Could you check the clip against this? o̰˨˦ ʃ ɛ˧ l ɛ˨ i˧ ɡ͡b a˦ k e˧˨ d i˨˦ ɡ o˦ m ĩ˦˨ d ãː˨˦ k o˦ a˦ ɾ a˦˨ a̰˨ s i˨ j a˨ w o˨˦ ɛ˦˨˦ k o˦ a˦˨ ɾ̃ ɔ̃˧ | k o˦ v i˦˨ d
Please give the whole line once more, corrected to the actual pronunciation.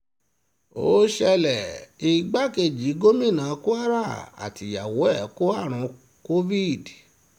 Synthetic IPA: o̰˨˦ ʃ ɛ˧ l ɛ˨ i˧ ɡ͡b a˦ k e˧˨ d͡ʒ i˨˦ ɡ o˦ m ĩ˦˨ n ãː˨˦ k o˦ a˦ ɾ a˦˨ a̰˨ t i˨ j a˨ w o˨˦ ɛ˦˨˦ k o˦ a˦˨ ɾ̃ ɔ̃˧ | k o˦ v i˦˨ d